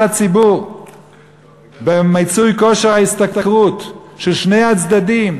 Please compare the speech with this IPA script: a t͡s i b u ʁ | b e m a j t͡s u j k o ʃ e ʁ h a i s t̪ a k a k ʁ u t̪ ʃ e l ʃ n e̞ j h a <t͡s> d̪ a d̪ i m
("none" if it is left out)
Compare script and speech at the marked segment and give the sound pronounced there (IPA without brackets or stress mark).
t͡s